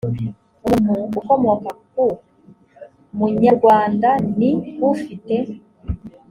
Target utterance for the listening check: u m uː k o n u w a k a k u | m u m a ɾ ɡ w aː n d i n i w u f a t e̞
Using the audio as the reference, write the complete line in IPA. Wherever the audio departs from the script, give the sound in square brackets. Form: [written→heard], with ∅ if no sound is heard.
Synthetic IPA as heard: u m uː k o [n→m] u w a k a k u | m u [m→ɲ] a ɾ ɡ w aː n d [i→a] n i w u f [a→i] t e̞